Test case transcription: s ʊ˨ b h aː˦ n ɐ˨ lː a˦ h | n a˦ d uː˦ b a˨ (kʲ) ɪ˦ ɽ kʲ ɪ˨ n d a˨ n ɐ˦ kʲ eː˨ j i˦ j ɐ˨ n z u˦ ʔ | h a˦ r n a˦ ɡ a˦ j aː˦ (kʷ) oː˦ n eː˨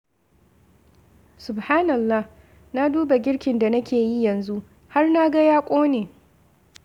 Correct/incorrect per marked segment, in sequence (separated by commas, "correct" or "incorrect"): incorrect, incorrect